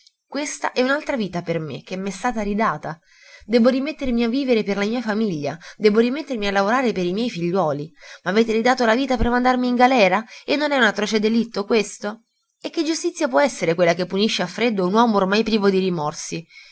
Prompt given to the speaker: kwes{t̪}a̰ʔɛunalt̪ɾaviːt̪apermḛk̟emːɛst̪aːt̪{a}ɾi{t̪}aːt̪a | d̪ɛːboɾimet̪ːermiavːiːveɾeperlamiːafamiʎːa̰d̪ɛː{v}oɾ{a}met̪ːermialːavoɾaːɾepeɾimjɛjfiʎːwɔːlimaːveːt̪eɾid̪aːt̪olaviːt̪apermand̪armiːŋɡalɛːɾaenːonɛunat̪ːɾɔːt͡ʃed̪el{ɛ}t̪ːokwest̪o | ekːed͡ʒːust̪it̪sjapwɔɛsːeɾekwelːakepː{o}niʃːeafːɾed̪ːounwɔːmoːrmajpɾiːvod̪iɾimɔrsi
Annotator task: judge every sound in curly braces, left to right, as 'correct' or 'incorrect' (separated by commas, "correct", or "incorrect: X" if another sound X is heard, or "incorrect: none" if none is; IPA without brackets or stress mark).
correct, correct, incorrect: d̪, incorrect: b, incorrect: i, incorrect: i, incorrect: u